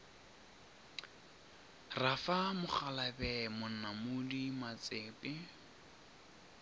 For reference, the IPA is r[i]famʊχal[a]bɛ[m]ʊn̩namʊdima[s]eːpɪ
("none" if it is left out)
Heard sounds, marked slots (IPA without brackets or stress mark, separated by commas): a, a, m, t͡s